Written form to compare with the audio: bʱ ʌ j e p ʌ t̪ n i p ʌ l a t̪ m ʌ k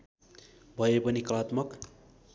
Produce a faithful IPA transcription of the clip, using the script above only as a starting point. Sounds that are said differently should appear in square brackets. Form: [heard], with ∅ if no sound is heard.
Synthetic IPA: bʱ ʌ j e p ʌ [∅] n i [k] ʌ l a t̪ m ʌ k